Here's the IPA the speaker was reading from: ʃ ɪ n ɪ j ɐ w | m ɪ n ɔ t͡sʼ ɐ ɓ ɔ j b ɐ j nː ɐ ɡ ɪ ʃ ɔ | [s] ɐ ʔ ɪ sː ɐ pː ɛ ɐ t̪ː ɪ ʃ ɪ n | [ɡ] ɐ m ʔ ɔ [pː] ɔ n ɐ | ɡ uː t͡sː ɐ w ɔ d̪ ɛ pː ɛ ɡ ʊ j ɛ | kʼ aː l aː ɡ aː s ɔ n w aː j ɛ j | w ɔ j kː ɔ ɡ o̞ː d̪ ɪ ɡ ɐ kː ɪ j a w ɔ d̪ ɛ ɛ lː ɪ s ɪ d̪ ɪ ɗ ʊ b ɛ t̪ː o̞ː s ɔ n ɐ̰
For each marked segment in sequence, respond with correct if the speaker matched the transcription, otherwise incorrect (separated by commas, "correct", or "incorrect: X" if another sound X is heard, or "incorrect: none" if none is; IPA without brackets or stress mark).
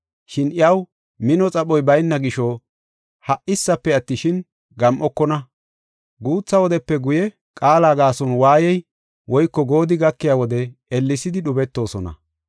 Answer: incorrect: h, correct, incorrect: kː